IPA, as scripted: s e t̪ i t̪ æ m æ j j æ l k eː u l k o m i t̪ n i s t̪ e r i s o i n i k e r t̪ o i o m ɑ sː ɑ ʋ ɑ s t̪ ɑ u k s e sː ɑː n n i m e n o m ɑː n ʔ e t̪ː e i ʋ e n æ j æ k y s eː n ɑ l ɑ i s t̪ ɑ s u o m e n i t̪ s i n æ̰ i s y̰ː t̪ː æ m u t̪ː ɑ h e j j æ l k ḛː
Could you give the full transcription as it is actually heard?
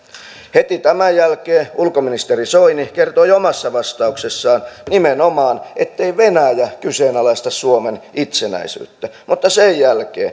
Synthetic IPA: h e t̪ i t̪ æ m æ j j æ l k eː u l k o m i n i s t̪ e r i s o i n i k e r t̪ o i o m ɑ sː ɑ ʋ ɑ s t̪ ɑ u k s e sː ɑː n n i m e n o m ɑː n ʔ e t̪ː e i ʋ e n æ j æ k y s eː n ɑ l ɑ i s t̪ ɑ s u o m e n i t̪ s e n æ̰ i s y̰ː t̪ː æ m u t̪ː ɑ s e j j æ l k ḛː